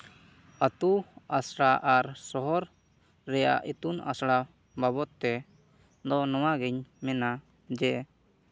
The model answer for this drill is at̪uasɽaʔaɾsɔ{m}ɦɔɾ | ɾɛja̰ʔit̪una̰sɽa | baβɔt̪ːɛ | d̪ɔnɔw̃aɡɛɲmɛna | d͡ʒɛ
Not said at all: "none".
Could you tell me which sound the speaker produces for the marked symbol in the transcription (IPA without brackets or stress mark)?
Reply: none